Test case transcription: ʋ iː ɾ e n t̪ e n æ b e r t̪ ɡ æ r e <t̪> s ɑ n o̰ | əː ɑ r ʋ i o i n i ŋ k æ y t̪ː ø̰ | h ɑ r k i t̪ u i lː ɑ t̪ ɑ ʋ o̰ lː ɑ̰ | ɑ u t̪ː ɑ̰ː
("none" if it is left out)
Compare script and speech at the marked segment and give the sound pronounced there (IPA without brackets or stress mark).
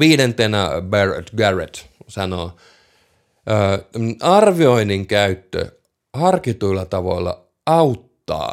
t̪